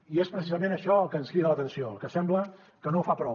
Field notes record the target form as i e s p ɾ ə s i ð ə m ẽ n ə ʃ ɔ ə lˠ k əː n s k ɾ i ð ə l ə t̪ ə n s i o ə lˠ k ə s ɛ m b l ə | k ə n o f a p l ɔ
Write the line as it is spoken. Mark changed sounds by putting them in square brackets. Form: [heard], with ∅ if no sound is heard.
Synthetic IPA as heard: i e s p ɾ ə s i [z] ə m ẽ n ə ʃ ɔ ə lˠ k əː n s k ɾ i ð ə l ə t̪ ə n s i o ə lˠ k ə s ɛ m b l ə | k ə n o f a p [ɾ] ɔ